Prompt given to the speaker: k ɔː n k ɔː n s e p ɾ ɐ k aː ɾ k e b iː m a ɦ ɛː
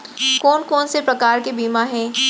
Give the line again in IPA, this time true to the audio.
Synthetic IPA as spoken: k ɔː n k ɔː n s e p ɾ ɐ k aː ɾ k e b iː m a ɦ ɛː